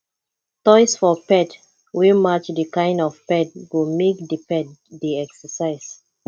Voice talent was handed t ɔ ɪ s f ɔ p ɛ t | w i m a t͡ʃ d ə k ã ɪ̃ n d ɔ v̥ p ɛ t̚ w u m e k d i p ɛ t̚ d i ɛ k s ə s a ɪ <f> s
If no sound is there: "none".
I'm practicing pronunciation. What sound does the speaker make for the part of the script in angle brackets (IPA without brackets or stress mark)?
none